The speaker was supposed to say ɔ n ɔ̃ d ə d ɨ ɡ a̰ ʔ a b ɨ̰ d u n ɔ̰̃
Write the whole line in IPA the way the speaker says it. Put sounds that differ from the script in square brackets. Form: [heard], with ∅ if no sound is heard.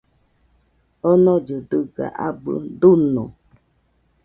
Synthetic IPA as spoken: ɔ n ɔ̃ [d͡ʒ] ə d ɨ ɡ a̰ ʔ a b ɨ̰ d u n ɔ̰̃